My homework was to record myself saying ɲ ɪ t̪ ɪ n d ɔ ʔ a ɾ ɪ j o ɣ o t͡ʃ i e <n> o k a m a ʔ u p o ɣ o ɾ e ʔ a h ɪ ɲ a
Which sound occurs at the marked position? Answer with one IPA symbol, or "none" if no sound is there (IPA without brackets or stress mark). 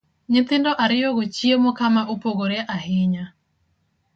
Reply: m